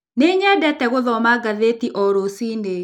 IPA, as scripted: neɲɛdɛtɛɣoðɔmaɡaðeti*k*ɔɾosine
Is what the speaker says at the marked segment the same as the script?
no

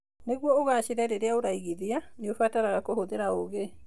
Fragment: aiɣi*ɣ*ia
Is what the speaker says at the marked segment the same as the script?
no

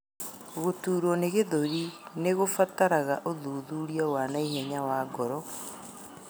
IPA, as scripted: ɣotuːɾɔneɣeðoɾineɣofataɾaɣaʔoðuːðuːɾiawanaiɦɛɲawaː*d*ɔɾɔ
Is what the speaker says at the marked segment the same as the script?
no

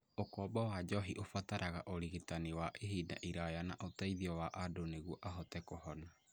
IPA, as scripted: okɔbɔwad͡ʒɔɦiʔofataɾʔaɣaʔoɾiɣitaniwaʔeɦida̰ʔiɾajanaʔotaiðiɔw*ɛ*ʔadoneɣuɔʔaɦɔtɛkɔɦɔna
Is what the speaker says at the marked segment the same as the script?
no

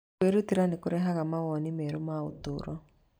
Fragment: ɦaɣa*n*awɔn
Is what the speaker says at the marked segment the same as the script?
no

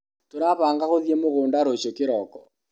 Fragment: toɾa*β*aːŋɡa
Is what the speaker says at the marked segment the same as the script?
yes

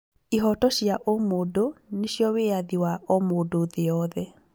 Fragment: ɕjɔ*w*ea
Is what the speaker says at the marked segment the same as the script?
yes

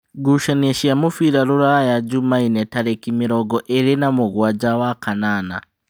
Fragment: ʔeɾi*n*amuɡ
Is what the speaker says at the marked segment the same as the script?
yes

